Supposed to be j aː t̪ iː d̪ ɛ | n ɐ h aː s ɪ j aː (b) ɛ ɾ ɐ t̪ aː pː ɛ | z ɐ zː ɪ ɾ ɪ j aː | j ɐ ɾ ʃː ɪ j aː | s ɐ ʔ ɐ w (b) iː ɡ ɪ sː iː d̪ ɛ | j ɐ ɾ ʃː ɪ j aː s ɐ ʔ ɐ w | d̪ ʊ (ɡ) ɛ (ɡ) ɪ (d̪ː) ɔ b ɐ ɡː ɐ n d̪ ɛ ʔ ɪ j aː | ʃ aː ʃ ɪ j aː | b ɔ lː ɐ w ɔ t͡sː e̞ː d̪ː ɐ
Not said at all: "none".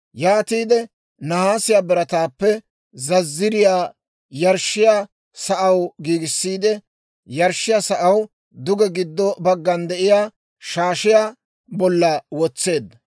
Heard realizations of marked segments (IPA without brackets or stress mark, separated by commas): b, ɡ, ɡ, ɡ, d̪ː